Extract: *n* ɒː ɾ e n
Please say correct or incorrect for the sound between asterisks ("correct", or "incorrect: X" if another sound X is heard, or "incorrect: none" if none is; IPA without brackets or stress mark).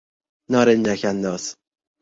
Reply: correct